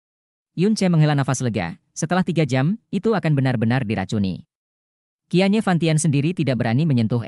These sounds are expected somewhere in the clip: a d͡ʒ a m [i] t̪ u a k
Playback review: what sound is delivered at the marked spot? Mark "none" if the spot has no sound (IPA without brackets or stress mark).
i